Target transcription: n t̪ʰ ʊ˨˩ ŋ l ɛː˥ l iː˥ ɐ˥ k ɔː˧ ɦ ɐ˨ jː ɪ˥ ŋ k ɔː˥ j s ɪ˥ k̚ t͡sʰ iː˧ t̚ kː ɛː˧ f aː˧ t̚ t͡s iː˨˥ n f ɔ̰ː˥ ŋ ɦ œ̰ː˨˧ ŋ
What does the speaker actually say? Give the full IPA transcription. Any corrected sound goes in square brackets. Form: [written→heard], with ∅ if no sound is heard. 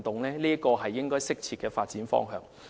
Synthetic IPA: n [t̪ʰ→t̪] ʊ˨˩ ŋ l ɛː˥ l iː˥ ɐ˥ k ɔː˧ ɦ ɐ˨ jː ɪ˥ ŋ k ɔː˥ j s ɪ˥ k̚ t͡sʰ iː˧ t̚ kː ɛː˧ f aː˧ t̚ t͡s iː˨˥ n f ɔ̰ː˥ ŋ ɦ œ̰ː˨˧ ŋ